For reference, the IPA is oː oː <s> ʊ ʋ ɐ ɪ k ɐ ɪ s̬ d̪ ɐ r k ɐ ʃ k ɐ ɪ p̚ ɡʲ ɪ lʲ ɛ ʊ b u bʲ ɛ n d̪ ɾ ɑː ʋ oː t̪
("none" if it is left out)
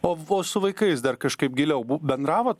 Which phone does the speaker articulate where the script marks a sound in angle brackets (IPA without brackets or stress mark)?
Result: s